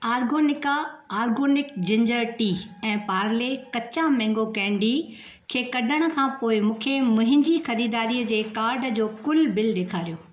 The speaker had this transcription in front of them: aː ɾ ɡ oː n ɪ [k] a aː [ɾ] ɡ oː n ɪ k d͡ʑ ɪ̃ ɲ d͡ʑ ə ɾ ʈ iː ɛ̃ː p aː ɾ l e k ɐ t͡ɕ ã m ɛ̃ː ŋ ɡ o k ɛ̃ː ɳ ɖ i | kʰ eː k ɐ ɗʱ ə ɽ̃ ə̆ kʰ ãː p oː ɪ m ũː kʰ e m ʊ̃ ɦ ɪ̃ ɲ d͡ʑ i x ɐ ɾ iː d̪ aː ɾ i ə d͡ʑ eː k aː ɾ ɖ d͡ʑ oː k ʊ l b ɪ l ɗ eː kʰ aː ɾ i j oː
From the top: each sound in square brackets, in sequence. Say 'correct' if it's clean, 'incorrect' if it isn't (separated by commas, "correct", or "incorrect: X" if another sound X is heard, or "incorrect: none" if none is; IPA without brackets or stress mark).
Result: correct, correct